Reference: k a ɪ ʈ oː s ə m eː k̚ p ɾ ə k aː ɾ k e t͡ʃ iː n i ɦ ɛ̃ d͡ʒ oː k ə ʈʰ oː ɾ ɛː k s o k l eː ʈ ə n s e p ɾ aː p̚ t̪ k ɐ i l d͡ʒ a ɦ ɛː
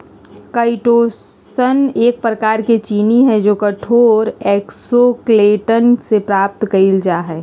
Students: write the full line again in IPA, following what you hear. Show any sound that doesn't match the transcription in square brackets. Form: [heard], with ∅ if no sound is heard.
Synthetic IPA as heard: k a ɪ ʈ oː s ə [n] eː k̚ p ɾ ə k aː ɾ k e t͡ʃ iː n i ɦ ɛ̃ d͡ʒ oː k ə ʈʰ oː ɾ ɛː k s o k l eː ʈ ə n s e p ɾ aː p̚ t̪ k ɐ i l d͡ʒ a ɦ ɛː